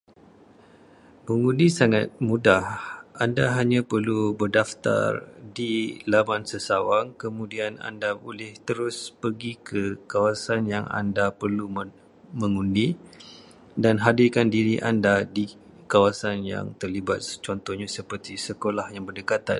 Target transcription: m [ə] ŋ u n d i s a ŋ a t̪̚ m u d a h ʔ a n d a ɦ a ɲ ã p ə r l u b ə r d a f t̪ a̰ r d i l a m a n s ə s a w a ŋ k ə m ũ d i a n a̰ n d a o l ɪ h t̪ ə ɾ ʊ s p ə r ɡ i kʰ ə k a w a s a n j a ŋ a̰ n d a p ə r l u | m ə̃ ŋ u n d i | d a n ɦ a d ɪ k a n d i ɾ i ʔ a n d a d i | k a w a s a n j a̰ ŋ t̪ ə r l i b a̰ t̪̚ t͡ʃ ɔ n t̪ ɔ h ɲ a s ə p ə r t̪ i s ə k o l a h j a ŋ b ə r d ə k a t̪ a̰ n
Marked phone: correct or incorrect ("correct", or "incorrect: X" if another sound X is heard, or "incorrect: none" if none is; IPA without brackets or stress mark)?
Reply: correct